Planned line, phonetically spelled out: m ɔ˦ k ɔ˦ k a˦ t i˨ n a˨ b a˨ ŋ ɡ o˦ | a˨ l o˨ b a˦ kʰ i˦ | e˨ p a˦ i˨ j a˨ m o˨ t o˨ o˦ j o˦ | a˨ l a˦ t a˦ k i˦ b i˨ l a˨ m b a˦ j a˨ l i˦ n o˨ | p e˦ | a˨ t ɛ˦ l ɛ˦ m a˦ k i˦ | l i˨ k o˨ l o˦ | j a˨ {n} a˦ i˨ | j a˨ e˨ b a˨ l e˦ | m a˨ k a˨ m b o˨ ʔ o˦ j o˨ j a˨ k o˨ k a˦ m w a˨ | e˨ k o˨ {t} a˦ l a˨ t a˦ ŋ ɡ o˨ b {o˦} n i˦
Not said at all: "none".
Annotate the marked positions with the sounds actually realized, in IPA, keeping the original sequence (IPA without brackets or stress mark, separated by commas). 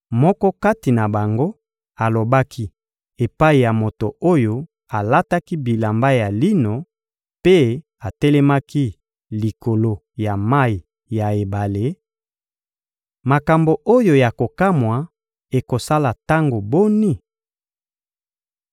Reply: m, s, o˦